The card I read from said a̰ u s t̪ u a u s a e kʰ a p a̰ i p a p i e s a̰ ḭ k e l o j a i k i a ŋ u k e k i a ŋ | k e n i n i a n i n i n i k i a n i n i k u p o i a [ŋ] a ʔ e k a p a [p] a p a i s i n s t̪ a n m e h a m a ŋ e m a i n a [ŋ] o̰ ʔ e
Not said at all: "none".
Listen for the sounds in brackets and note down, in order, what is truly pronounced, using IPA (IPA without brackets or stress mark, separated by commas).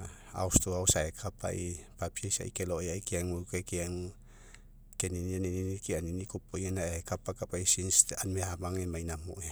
n, k, m